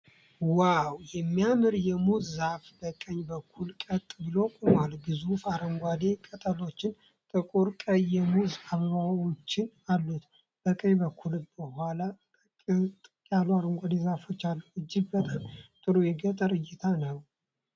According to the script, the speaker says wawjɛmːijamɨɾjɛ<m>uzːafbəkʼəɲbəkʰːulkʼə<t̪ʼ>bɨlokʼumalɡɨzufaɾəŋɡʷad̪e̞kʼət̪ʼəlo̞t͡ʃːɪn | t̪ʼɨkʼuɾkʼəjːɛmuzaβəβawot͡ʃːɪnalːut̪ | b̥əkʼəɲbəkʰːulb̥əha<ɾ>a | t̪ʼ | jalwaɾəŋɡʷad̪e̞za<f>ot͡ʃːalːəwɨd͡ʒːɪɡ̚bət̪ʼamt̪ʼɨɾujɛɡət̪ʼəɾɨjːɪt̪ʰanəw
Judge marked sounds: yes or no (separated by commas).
yes, yes, no, yes